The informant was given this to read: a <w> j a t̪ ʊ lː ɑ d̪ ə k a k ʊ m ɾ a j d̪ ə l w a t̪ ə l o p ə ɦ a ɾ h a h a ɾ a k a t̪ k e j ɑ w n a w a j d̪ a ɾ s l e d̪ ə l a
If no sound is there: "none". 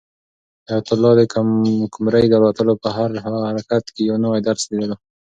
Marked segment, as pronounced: none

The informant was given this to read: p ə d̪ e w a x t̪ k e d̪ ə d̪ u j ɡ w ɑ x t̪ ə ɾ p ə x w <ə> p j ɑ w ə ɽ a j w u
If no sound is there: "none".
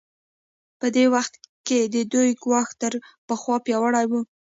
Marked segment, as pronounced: ɑ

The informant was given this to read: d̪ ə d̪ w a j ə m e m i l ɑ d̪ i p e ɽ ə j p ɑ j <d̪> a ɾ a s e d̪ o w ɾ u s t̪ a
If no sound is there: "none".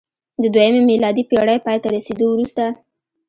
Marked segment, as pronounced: t̪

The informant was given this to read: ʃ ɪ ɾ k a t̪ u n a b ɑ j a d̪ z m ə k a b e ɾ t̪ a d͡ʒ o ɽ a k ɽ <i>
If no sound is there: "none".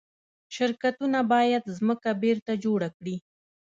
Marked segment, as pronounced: i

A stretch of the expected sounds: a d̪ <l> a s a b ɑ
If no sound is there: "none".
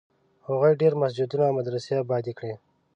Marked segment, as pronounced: ɾ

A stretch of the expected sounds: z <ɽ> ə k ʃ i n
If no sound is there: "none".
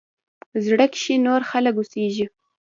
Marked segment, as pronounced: ɽ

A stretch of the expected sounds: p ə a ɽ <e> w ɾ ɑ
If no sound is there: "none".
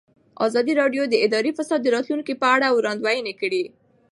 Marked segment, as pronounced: a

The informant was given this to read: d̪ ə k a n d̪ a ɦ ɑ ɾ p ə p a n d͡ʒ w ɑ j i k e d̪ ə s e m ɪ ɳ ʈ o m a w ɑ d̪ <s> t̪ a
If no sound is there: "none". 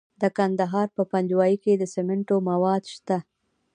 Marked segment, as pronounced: ʃ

